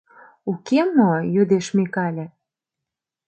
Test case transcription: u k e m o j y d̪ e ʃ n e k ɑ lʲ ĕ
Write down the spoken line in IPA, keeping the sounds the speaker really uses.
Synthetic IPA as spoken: u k e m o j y d̪ e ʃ m e k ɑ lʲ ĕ